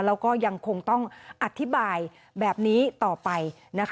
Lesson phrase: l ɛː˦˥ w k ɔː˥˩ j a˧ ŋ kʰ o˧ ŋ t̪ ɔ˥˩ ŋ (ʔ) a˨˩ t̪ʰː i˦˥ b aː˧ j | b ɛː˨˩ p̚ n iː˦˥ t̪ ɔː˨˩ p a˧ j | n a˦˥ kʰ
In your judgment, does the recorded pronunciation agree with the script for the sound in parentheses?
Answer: yes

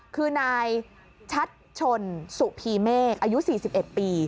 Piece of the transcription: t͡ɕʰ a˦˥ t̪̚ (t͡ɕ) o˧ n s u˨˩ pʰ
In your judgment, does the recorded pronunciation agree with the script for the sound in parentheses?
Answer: no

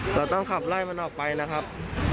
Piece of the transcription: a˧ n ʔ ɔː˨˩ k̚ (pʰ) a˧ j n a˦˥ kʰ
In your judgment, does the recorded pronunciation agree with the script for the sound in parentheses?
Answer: no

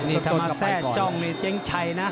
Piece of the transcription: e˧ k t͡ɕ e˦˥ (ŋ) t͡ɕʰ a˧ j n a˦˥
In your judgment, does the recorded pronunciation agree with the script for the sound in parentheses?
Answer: yes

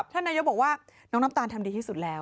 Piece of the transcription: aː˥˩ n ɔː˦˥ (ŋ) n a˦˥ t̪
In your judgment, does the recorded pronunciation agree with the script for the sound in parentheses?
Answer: yes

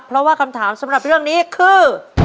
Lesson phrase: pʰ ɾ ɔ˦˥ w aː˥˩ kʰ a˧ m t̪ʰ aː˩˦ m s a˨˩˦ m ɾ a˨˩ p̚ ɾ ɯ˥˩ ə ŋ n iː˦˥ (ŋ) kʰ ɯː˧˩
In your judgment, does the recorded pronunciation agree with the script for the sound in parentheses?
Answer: no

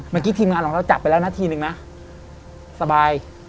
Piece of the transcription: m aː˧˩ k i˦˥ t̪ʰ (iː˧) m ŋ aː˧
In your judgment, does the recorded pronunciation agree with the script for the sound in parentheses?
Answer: yes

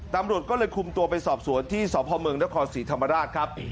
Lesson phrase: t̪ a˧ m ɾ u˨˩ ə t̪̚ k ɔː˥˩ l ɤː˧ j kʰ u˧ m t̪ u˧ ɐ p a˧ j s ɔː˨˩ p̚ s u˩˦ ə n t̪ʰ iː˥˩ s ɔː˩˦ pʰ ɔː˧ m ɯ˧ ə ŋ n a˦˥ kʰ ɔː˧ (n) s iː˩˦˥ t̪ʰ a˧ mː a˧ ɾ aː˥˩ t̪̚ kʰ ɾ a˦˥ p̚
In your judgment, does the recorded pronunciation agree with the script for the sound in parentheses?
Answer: yes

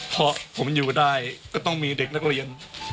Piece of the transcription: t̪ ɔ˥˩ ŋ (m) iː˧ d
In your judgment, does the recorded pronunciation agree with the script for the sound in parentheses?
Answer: yes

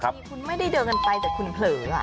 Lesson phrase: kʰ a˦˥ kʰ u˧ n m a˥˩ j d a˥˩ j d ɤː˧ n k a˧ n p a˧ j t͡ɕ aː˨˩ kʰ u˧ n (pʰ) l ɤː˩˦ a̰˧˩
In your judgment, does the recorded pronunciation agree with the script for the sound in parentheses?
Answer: yes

